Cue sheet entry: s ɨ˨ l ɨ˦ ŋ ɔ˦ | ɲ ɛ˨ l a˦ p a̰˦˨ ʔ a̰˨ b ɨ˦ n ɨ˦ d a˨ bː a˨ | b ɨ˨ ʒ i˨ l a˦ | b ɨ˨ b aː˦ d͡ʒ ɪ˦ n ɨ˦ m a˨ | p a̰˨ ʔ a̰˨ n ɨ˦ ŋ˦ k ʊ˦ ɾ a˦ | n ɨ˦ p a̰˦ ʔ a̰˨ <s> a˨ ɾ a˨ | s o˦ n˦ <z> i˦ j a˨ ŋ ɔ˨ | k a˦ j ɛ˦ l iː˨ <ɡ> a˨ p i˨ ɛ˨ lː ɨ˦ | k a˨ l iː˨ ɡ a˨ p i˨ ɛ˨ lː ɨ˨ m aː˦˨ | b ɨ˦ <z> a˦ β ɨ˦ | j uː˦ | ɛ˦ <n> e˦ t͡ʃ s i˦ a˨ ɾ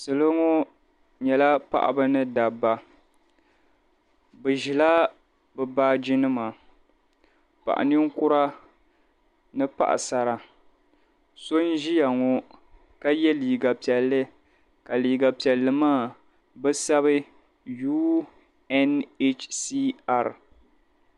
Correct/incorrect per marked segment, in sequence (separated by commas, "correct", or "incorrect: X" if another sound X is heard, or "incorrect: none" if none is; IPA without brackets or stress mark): correct, incorrect: ʒ, correct, incorrect: s, correct